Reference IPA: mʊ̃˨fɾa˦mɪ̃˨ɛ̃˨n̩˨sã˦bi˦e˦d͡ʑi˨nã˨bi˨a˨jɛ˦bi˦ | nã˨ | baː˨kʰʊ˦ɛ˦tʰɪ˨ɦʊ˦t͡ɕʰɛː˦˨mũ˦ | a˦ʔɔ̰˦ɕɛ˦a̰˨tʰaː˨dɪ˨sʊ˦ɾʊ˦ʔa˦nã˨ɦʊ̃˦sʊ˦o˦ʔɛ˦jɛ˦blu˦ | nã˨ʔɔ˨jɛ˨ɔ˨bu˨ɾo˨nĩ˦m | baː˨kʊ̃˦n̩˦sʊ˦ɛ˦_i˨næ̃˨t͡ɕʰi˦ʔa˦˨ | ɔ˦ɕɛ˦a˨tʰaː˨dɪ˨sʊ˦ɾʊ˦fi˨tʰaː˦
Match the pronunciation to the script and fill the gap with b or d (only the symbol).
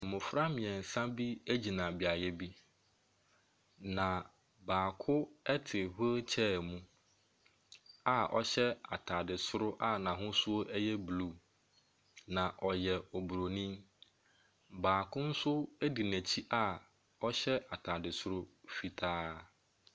d